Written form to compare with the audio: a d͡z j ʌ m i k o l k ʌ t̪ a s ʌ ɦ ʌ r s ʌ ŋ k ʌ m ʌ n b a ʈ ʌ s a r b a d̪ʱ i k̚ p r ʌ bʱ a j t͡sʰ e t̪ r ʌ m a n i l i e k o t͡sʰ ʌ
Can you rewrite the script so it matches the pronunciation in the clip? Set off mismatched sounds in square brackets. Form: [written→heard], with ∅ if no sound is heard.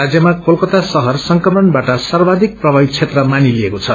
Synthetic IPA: a d͡z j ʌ m [i→a] k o l k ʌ t̪ a s ʌ ɦ ʌ r s ʌ ŋ k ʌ m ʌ n b a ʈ ʌ s a r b a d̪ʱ i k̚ p r ʌ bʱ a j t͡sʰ e t̪ r ʌ m a n i l i e k o t͡sʰ ʌ